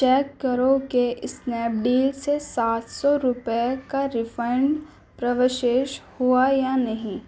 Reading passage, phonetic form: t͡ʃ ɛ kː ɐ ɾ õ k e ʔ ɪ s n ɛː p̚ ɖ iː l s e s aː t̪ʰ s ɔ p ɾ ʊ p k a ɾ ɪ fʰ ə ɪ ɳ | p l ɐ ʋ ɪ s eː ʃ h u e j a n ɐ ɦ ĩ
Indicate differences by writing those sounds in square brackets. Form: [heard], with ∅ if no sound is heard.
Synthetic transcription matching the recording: t͡ʃ [ɛː] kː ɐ ɾ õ k e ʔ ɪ s n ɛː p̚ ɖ iː l s e s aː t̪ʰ s ɔ [∅] ɾ ʊ p k a ɾ ɪ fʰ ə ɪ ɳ | p [ɾ] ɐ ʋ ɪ [ʃ] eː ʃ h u [a] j a n ɐ ɦ ĩ